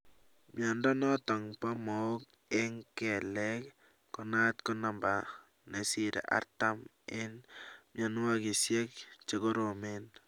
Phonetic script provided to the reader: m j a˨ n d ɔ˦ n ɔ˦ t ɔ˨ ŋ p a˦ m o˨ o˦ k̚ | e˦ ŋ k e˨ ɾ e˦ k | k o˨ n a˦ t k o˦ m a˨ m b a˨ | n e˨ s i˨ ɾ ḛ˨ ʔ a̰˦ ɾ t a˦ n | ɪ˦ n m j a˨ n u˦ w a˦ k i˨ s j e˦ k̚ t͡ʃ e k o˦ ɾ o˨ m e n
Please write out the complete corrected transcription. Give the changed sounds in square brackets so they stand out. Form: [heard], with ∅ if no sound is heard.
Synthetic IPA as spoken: m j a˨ n d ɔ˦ n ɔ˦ t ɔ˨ ŋ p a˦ m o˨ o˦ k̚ | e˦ ŋ k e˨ [l] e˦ k | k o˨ n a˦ t k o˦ [n] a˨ m b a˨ | n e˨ s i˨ ɾ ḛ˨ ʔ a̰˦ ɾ t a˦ [m] | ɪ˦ n m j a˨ n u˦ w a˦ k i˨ s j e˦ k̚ t͡ʃ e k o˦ ɾ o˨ m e n